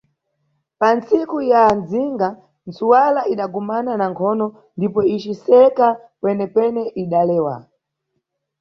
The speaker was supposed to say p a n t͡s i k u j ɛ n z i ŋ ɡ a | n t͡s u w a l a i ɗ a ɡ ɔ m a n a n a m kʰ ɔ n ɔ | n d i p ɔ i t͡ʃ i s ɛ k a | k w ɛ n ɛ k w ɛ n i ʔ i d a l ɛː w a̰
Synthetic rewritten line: p a n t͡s i k u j a n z i ŋ ɡ a | n t͡s u w a l a i ɗ a ɡ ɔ m a n a n a ŋ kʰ ɔ n ɔ | n d i p ɔ i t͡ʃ i s ɛ k a | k w ɛ n ɛ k w ɛ n ɛ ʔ i ɗ a l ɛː w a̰

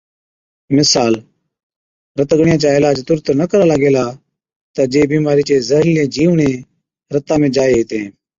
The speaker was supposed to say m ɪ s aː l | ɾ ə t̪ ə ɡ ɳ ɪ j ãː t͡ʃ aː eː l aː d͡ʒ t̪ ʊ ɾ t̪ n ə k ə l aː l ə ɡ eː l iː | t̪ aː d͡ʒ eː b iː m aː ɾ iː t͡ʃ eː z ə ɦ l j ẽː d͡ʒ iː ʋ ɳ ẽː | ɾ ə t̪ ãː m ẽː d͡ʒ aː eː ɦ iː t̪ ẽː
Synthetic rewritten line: m ɪ s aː l | ɾ ə t̪ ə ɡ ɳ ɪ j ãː t͡ʃ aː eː l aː d͡ʒ t̪ ʊ ɾ t̪ n ə k ə ɾ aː l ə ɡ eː l aː | t̪ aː d͡ʒ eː b iː m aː ɾ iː t͡ʃ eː z ə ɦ l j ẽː d͡ʒ iː ʋ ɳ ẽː | ɾ ə t̪ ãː m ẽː d͡ʒ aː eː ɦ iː t̪ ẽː

